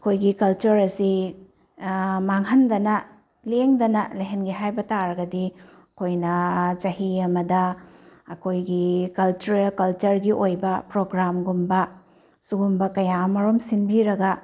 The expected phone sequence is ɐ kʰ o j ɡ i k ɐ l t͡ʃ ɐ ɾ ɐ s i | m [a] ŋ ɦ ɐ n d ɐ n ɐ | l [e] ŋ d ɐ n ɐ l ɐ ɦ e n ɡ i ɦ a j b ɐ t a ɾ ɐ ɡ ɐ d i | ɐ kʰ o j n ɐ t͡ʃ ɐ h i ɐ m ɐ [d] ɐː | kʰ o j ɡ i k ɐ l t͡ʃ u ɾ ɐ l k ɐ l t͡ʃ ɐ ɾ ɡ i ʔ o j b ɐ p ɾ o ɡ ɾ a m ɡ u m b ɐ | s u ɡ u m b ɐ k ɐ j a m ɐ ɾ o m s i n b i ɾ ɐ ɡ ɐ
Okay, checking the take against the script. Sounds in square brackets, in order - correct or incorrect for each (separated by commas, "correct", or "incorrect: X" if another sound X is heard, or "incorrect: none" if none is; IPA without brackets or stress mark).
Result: correct, correct, correct